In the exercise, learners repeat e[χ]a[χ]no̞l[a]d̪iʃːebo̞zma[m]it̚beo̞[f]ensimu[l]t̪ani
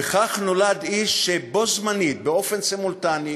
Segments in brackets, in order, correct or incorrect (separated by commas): correct, correct, correct, incorrect, correct, correct